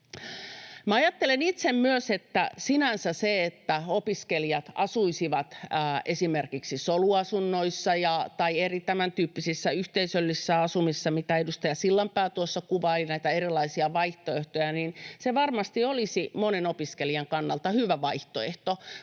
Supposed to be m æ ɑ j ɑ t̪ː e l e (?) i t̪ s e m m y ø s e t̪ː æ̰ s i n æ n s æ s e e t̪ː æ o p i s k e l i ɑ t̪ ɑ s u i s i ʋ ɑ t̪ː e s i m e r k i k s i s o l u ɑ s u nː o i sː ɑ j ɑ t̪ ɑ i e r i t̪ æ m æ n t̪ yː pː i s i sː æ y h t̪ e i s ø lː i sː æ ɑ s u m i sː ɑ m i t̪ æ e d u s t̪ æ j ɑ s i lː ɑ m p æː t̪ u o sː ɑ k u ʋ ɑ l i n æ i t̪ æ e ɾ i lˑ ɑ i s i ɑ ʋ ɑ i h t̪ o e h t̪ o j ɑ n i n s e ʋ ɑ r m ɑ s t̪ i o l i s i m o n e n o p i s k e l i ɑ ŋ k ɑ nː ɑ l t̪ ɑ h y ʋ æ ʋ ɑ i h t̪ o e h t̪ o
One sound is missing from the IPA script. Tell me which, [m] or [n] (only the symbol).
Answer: n